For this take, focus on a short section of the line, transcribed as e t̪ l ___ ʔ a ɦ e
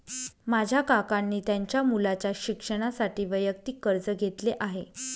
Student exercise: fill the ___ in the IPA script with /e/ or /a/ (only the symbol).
e